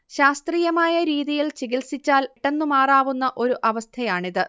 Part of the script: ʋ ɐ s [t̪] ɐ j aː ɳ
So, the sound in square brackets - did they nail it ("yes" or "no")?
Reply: no